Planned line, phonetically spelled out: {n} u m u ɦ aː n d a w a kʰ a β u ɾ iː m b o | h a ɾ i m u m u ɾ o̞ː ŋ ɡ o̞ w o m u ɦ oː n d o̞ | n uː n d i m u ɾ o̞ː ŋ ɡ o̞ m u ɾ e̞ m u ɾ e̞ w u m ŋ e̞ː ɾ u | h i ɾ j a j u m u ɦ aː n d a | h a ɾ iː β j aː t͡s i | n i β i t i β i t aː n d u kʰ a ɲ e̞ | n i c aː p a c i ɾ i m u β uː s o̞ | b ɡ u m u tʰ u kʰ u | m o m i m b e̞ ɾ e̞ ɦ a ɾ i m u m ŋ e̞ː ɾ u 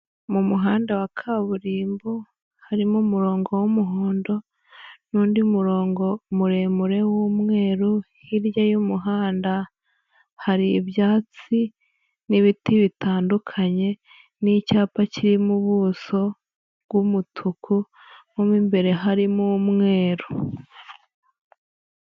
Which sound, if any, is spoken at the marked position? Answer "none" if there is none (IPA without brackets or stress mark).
m